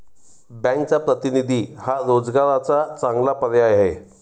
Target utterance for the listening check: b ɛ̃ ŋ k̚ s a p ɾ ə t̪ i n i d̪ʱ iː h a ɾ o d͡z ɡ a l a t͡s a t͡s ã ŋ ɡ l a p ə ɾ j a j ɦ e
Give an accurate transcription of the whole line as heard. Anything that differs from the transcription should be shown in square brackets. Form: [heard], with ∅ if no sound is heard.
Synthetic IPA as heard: b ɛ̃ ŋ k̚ [t͡s] a p ɾ ə t̪ i n i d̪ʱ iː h a ɾ o d͡z ɡ a [ɾ] a t͡s a t͡s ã ŋ ɡ l a p ə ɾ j a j ɦ e